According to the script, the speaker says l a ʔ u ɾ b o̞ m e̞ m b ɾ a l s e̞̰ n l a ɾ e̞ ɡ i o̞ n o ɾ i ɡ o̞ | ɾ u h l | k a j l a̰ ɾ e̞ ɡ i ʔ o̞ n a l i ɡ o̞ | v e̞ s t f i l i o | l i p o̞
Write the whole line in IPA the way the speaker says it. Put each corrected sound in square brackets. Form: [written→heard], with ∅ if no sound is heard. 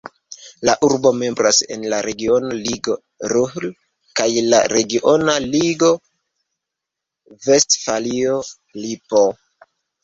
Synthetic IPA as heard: l a ʔ u ɾ b o̞ m e̞ m b ɾ a [l→∅] s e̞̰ n l a ɾ e̞ ɡ i o̞ n o [ɾ→l] i ɡ o̞ | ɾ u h l | k a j l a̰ ɾ e̞ ɡ i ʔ o̞ n a l i ɡ o̞ | v e̞ s t f [i→a] l i o | l i p o̞